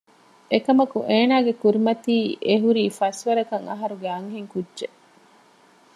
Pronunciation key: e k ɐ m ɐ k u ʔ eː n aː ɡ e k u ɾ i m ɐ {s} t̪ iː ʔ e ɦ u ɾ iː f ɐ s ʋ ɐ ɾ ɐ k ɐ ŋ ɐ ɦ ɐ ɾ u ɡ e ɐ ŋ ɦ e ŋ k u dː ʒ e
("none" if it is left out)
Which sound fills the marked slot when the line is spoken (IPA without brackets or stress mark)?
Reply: none